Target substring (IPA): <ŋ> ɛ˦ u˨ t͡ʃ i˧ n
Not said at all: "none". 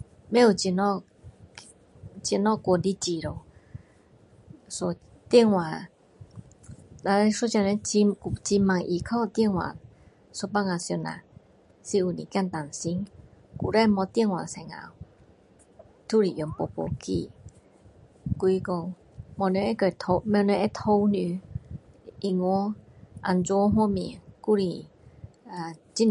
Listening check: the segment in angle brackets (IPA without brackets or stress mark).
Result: m